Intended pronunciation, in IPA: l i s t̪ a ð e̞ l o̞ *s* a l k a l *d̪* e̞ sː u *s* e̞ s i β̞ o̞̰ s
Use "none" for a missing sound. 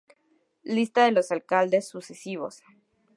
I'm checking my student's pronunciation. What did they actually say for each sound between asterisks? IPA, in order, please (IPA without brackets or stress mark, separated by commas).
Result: s, d̪, s